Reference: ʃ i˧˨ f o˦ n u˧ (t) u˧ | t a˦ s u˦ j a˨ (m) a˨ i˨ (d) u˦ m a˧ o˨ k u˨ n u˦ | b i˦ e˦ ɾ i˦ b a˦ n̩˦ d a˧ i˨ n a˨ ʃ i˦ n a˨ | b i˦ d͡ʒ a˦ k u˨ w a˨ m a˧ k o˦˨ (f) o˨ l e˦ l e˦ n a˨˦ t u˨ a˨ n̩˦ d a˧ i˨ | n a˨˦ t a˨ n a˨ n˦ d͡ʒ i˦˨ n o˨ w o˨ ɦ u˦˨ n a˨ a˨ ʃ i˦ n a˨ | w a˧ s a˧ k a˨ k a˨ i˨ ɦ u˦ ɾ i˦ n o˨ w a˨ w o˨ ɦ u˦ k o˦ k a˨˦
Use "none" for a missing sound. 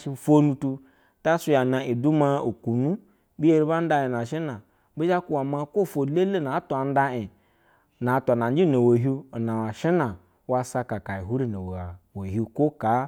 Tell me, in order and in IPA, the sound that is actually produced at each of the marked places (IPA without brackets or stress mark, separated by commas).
t, n, d, f